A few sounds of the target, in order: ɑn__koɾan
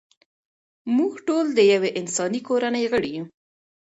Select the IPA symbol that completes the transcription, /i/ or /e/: i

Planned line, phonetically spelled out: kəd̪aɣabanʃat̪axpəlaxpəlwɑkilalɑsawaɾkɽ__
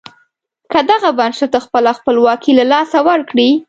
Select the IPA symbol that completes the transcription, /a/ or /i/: i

